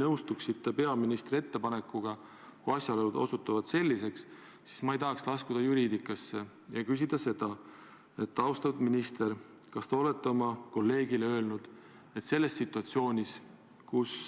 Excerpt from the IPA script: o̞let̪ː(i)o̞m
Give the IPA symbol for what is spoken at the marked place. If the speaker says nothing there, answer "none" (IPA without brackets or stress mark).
e